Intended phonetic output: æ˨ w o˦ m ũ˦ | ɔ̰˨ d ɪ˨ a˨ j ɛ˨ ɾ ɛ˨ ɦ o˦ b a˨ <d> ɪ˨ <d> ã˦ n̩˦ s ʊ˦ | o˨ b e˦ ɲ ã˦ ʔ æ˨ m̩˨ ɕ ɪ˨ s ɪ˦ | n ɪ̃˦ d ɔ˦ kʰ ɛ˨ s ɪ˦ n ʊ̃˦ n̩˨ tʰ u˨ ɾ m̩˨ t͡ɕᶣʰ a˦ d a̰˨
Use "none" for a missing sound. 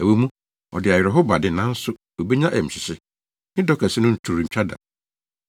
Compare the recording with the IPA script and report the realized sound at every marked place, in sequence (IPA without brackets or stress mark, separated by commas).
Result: d, n